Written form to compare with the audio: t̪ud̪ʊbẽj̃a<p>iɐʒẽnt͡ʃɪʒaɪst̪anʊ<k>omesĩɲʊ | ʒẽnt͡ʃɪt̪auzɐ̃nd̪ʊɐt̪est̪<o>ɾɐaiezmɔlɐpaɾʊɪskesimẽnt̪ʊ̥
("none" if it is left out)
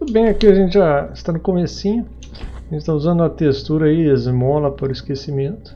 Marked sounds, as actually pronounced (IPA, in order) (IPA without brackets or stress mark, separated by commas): k, k, u